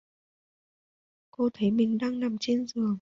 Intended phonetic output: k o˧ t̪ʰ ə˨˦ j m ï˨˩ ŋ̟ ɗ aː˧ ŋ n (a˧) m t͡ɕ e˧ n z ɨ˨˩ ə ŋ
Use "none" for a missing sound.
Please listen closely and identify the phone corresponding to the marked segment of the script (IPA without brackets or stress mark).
a˨˩